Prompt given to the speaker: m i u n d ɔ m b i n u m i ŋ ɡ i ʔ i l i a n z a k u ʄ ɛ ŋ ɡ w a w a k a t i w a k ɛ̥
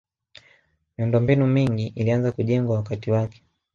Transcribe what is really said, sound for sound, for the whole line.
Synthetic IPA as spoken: m i u n d ɔ m b i n u m i ŋ ɡ i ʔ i l i a n z a k u ʄ ɛ ŋ ɡ w a w a k a t i w a k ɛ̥